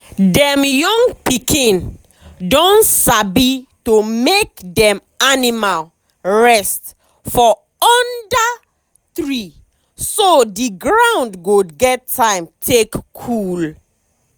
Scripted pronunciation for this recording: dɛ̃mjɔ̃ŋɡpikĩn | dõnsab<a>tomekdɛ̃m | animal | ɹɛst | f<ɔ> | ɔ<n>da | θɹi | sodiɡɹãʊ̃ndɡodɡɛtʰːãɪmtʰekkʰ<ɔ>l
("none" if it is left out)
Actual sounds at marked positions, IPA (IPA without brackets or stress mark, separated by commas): i, ɔ, n, u